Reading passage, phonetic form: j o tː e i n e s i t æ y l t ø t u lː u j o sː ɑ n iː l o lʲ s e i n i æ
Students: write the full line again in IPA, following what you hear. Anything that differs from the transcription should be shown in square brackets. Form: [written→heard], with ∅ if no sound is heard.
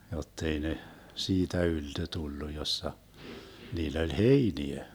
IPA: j o tː e i n e s [i→iː] t æ y l t ø t u lː u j o sː ɑ n iː [l→lː] o lʲ [s→h] e i n i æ